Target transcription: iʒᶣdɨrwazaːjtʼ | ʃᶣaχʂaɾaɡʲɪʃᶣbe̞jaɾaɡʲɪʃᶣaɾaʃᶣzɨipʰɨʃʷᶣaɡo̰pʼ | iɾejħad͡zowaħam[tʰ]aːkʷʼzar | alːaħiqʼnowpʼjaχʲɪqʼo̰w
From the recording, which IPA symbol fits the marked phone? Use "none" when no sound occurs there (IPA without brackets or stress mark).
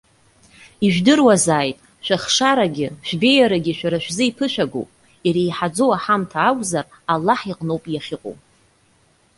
tʰ